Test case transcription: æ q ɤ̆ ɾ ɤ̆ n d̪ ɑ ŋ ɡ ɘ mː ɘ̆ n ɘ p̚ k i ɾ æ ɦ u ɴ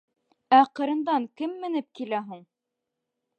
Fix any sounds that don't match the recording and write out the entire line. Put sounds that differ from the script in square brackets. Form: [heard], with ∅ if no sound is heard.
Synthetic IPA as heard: æ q ɤ̆ ɾ ɤ̆ n d̪ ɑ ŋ [k] ɘ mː ɘ̆ n ɘ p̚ k i [l] æ ɦ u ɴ